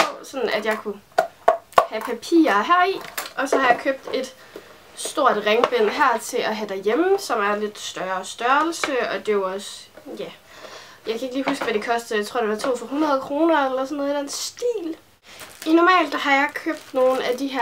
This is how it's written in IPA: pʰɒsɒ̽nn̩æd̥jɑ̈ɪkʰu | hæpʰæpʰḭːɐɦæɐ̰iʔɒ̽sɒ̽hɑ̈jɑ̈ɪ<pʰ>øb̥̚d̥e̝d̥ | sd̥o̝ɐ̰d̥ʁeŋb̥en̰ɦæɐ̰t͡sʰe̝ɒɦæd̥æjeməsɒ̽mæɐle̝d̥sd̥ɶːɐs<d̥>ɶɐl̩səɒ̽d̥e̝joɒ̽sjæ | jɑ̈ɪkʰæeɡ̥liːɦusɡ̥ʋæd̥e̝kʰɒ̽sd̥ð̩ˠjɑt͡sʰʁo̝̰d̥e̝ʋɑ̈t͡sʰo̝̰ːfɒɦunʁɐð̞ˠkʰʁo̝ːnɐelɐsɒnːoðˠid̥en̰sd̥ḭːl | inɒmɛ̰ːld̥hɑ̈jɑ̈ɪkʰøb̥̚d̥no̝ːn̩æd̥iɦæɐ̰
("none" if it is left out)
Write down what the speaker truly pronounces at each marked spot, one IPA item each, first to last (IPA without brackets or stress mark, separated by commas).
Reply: kʰ, d̥